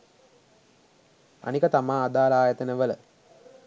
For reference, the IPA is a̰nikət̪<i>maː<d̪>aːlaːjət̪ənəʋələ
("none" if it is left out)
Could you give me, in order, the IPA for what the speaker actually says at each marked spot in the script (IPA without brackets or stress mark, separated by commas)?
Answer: a, d̪